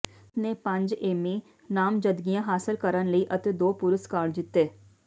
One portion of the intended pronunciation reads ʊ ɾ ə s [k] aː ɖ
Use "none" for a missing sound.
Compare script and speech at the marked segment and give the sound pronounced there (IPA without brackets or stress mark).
k